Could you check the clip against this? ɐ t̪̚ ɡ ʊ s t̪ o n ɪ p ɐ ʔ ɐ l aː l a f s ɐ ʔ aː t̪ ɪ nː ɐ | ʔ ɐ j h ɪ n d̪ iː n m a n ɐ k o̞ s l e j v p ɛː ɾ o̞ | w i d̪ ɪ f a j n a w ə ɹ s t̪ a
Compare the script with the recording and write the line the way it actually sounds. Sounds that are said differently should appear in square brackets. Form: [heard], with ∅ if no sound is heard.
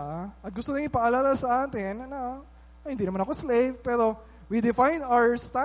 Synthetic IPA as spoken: ɐ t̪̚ ɡ ʊ s t̪ o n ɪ p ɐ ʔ ɐ l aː l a [∅] s ɐ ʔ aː t̪ ɪ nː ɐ | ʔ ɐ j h ɪ n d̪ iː n m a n ɐ k o̞ s l e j v p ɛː ɾ o̞ | w i d̪ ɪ f a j n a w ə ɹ s t̪ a